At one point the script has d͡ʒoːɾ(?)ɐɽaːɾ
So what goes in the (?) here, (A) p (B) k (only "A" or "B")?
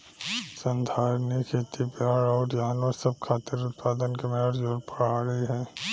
A